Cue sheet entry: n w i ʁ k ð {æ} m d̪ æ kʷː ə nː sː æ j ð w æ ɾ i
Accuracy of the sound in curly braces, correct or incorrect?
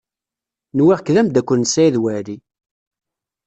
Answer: correct